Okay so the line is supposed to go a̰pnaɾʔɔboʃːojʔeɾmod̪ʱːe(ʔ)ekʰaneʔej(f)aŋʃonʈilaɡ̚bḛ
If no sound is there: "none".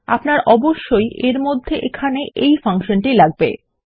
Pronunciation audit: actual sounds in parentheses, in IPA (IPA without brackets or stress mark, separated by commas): ʔ, f